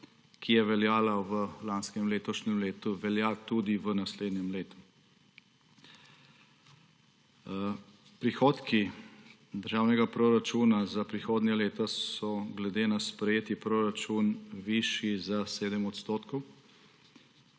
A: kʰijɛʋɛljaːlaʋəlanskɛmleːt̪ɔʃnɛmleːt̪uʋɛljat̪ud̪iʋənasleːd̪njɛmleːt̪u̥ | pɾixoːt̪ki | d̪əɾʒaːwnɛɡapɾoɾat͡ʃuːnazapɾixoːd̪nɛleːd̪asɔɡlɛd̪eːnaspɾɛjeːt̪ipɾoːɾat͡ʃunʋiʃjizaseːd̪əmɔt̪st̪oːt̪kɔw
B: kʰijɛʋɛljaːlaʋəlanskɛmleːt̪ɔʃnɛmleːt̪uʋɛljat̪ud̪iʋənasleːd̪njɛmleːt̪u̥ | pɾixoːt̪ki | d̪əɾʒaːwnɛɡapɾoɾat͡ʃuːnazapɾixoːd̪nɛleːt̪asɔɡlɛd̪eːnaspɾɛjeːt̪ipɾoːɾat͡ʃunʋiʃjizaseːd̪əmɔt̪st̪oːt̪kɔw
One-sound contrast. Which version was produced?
B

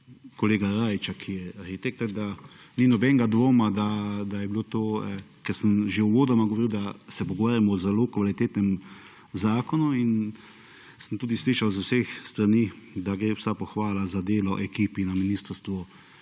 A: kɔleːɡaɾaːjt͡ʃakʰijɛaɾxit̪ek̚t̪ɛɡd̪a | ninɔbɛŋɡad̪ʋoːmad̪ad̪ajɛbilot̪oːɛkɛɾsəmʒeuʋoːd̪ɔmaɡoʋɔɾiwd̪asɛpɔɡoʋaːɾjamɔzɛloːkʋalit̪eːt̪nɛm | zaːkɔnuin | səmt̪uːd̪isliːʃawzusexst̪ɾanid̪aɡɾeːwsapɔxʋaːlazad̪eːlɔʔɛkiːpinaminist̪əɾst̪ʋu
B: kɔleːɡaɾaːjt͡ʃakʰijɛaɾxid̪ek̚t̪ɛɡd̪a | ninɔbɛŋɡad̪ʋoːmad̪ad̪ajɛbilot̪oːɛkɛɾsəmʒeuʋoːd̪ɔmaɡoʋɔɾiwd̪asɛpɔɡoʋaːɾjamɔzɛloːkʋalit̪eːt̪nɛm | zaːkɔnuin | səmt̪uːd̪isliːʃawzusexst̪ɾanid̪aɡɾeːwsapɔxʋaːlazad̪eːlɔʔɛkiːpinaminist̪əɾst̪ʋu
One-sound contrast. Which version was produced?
A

